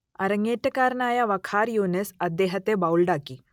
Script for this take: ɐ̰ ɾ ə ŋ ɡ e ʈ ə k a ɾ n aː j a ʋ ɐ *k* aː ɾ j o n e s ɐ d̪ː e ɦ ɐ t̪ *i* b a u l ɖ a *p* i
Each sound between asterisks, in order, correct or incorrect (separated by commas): incorrect, incorrect, incorrect